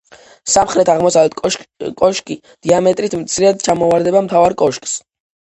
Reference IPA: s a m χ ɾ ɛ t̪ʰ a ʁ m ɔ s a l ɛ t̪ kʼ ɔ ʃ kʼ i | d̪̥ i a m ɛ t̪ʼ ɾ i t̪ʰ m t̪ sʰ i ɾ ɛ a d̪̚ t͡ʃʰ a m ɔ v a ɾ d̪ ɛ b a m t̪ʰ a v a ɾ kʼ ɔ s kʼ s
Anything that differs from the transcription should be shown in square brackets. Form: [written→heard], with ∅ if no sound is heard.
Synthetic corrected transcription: s a m χ ɾ ɛ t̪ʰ a ʁ m ɔ s a l ɛ t̪ kʼ ɔ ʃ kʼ i | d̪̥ i a m ɛ t̪ʼ ɾ i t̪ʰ m t̪ sʰ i ɾ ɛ a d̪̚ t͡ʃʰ a m ɔ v a ɾ d̪ ɛ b a m t̪ʰ a v a ɾ kʼ ɔ [s→ʃ] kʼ s